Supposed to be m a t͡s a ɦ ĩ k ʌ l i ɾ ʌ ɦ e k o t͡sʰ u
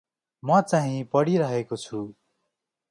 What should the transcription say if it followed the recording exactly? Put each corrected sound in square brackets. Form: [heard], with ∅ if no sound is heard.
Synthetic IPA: m [ʌ] t͡s a ɦ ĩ [p] ʌ [ɽ] i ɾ ʌ ɦ e k o t͡sʰ u

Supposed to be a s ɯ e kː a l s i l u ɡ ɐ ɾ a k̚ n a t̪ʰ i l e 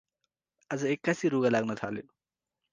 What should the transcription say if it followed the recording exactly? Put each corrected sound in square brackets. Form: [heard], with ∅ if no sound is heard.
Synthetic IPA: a [z] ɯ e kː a [∅] s i [ɾ] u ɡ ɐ [l] a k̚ n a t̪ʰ [a] l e

